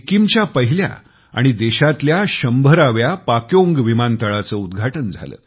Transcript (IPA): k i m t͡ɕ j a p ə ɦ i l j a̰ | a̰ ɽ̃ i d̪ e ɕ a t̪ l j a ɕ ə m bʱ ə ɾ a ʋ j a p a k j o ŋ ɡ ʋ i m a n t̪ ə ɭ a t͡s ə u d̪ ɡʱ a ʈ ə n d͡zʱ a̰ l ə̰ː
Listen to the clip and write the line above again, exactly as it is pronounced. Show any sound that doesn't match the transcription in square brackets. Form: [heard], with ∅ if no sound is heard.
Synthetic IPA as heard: k i m t͡ɕ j a p ə ɦ i l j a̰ | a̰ ɽ̃ i d̪ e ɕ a t̪ l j a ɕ ə m bʱ ə ɾ a ʋ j a p a k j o ŋ ɡ ʋ i m a n t̪ ə ɭ a t͡s ə u d̪ ɡʱ a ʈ ə n d͡zʱ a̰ l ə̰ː